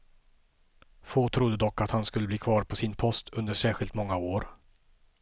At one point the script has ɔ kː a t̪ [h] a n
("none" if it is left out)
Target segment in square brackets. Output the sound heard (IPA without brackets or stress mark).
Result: h